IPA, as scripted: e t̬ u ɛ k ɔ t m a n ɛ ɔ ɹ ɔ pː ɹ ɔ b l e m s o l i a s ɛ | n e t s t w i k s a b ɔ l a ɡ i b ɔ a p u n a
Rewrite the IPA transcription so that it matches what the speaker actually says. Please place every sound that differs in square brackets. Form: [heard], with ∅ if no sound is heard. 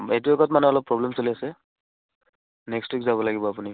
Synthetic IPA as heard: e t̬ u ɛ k ɔ t m a n ɛ ɔ [l] ɔ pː ɹ ɔ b l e m s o l i a s ɛ | n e [k] s t w i k [z] a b ɔ l a ɡ i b ɔ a p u n [i]